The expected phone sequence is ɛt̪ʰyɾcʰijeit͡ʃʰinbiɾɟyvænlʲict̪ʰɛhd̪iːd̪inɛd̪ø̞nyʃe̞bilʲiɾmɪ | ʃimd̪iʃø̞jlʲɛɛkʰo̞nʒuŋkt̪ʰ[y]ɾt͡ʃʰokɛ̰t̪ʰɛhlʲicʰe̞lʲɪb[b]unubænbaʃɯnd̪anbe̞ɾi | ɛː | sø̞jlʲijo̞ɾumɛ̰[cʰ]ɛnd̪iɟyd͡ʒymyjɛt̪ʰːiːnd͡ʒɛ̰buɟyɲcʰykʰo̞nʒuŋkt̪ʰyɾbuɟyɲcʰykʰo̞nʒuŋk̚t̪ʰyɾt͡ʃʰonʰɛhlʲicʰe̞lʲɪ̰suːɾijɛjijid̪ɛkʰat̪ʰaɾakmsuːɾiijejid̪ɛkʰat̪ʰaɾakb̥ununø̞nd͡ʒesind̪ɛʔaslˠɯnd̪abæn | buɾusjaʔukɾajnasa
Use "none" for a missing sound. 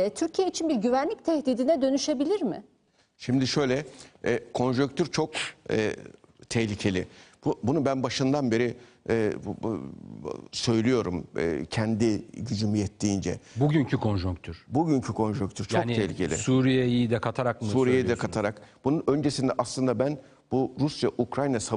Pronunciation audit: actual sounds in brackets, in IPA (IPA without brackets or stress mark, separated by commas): y, b, cʰ